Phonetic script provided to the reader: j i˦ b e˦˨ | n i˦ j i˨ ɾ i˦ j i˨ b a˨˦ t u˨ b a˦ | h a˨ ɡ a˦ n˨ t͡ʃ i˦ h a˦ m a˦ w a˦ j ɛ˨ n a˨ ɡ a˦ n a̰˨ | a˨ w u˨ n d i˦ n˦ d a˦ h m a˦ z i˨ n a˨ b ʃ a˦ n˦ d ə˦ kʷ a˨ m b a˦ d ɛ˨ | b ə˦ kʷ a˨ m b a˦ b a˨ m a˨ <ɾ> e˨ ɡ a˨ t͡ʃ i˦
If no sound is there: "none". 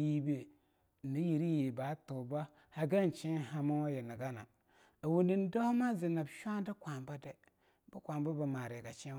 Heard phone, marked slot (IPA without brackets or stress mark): ɾ